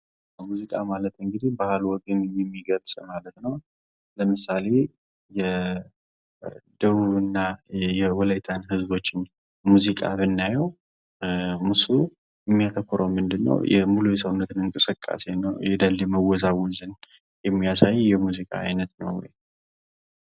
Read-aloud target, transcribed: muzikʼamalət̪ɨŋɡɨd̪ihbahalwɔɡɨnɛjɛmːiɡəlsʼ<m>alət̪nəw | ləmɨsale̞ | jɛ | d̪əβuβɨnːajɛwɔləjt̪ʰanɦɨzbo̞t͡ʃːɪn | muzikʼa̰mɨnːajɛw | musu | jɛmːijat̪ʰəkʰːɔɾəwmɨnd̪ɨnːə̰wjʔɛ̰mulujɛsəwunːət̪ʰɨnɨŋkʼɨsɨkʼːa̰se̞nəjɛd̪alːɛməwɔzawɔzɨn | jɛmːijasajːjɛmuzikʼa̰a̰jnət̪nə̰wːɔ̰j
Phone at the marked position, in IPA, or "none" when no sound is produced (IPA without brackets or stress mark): m